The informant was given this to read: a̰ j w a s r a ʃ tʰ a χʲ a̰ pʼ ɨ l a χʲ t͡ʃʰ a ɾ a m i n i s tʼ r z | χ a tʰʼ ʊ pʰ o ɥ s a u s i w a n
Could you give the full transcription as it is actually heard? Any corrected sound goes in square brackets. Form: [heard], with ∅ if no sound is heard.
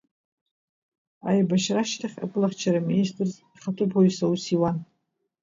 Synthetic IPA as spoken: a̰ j [b] a [ʃ] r a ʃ tʰ a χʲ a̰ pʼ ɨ l a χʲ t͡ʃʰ a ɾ a m i n i s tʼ r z | χ a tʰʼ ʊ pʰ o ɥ s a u s i w a n